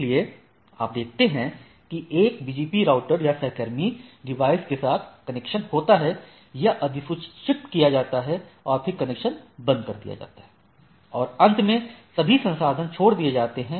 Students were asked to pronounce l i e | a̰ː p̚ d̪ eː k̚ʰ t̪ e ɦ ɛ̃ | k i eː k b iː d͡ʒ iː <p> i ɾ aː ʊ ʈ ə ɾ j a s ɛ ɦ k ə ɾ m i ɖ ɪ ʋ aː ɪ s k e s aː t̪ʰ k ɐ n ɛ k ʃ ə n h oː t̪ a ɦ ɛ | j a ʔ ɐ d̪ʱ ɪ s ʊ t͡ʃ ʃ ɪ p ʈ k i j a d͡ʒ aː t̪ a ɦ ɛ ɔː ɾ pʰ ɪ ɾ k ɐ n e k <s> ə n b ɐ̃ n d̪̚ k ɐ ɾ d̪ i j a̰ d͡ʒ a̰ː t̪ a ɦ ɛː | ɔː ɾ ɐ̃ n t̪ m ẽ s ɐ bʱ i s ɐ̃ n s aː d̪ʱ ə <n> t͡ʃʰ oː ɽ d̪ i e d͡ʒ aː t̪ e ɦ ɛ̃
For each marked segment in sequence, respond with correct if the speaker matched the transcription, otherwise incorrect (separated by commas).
correct, incorrect, correct